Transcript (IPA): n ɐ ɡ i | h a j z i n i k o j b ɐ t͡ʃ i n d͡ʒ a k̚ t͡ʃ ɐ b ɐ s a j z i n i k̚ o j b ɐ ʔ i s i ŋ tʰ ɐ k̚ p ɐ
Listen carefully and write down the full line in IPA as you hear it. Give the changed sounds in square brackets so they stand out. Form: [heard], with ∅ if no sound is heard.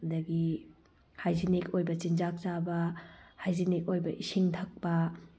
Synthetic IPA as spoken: [d] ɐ ɡ i | h a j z i n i k o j b ɐ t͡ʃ i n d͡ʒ a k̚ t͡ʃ [a] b ɐ [h] a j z i n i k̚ o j b ɐ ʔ i s i ŋ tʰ ɐ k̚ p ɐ